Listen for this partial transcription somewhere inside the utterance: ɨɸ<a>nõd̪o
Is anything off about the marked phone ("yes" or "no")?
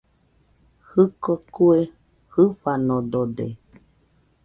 no